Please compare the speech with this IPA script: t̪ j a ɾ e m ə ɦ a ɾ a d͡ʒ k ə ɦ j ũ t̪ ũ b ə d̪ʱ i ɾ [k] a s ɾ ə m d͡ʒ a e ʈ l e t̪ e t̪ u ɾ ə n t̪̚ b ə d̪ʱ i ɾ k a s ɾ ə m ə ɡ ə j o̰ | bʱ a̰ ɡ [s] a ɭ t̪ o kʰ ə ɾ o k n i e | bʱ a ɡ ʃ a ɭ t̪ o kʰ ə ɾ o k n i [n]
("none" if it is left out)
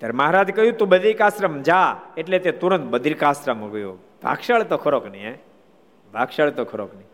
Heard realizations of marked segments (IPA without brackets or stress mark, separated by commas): k, ʃ, none